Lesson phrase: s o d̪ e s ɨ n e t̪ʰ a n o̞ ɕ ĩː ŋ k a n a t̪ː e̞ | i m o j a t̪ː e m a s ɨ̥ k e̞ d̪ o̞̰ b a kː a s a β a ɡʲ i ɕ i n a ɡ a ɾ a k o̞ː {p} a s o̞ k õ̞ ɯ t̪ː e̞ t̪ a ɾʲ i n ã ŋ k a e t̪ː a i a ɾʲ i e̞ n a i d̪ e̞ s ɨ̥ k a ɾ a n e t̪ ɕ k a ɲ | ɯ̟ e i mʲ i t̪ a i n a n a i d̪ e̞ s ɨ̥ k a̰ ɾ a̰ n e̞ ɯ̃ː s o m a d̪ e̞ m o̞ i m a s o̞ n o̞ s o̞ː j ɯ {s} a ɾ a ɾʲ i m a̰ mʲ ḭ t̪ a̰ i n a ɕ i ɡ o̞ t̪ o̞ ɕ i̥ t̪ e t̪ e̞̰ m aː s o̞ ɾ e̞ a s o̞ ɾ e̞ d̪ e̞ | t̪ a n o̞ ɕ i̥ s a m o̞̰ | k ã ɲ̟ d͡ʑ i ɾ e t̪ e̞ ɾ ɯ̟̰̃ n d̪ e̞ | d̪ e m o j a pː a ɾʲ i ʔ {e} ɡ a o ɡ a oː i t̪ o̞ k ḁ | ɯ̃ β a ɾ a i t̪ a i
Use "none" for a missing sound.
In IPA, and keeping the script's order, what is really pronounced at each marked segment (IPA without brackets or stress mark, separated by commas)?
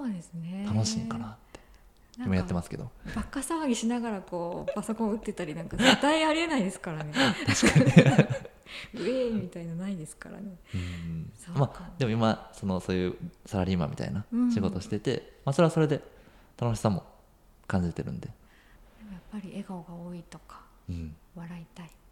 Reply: p, s, e